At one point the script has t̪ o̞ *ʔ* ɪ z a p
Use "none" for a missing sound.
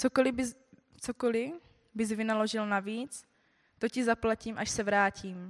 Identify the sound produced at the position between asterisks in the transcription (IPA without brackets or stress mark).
c